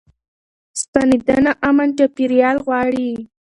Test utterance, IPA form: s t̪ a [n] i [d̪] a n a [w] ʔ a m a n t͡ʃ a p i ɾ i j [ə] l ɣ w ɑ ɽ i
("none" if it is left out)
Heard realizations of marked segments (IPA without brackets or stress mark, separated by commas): n, d̪, none, ɑ